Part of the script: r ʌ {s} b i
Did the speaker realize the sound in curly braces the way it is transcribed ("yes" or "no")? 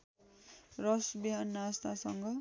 yes